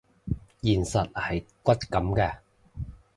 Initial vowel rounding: unrounded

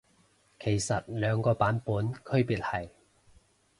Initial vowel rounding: unrounded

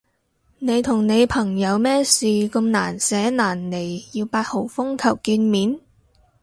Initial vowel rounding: unrounded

